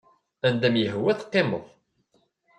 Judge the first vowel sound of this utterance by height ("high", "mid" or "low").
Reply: low